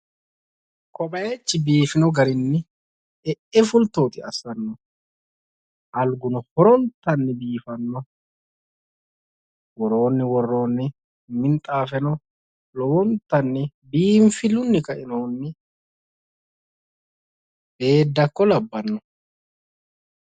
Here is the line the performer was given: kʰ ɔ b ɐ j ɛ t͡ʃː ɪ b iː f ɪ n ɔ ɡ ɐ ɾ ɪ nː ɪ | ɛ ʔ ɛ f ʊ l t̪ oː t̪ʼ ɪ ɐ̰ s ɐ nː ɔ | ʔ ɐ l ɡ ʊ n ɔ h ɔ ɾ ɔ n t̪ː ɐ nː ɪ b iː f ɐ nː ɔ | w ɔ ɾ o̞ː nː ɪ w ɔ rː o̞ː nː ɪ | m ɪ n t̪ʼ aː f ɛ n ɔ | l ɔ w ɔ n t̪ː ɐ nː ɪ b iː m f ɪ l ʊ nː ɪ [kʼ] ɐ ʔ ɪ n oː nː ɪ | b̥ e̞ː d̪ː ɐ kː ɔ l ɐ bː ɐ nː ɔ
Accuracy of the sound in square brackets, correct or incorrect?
incorrect